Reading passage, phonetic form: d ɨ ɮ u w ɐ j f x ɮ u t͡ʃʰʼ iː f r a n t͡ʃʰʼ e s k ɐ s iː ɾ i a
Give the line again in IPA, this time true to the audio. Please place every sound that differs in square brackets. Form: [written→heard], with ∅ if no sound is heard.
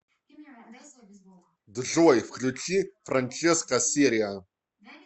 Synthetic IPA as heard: d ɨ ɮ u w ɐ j f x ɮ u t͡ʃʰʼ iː f r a n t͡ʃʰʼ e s k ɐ s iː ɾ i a